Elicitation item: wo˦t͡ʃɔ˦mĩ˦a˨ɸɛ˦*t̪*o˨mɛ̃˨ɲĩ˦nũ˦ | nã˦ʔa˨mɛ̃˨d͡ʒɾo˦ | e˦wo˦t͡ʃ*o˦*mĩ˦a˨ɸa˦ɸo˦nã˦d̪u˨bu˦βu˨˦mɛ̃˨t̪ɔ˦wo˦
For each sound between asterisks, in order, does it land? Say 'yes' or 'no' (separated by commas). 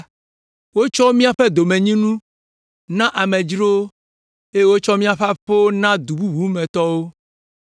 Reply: no, no